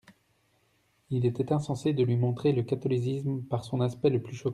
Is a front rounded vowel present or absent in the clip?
present